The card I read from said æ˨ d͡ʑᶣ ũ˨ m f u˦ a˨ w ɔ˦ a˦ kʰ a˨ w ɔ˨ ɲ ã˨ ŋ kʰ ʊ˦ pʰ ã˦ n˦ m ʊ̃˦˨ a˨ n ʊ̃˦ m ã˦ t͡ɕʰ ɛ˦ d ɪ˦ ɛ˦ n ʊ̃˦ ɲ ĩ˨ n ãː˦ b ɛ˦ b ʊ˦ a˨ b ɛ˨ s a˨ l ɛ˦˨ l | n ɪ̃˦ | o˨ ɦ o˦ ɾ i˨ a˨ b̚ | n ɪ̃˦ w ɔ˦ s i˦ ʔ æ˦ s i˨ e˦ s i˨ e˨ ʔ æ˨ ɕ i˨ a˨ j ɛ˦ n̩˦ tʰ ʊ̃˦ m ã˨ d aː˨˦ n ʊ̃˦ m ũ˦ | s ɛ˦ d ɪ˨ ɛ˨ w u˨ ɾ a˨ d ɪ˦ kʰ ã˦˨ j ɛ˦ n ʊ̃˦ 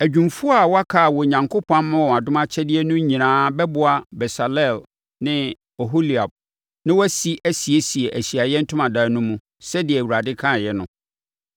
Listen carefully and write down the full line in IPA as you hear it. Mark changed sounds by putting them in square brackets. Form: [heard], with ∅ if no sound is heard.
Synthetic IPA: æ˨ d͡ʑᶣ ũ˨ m f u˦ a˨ w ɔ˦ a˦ kʰ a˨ w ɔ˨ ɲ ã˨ ŋ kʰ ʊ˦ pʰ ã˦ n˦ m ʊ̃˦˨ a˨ [d] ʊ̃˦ m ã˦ t͡ɕʰ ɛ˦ d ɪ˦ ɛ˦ n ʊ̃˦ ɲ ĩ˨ n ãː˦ b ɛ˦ b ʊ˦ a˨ b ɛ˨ s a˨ l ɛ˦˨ l | n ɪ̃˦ | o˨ ɦ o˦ [l] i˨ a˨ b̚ | n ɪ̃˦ w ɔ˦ s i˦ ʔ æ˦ s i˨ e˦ s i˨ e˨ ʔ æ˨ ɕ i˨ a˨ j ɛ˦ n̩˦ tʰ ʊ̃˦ m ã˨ d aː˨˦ n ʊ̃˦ m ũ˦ | s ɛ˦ d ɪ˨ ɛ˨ w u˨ ɾ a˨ d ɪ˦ kʰ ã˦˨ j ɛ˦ n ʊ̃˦